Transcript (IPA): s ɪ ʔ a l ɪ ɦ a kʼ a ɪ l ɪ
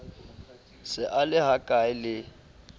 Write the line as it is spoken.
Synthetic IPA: s ɪ ʔ a l ɪ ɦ a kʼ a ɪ l ɪ